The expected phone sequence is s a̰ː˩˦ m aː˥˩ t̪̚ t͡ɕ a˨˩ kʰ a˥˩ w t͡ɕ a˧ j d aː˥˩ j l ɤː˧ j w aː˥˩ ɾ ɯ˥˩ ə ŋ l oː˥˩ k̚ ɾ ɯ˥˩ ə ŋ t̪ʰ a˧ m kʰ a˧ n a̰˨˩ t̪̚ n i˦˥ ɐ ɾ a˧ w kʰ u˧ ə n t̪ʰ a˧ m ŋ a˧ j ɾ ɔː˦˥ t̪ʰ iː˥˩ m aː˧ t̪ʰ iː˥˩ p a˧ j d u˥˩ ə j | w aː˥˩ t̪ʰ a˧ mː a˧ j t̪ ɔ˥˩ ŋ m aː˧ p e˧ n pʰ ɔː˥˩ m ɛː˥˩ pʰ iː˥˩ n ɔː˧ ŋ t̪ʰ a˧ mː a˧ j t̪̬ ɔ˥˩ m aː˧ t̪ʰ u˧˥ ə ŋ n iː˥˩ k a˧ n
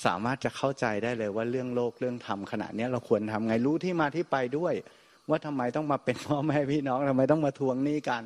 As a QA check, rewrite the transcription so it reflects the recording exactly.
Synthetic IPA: s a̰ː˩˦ m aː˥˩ t̪̚ t͡ɕ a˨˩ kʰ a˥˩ w t͡ɕ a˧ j d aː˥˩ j l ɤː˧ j w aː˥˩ ɾ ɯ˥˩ ə ŋ l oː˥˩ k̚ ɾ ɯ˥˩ ə ŋ t̪ʰ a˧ m kʰ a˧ n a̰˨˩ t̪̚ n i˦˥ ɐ ɾ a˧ w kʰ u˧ ə n t̪ʰ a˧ m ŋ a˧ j ɾ uː˦˥ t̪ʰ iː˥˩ m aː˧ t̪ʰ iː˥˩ p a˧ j d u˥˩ ə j | w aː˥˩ t̪ʰ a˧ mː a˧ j t̪ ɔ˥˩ ŋ m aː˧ p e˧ n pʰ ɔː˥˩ m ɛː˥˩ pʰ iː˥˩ n ɔː˦˥ ŋ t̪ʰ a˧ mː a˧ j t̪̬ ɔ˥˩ m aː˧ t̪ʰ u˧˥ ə ŋ n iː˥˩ k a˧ n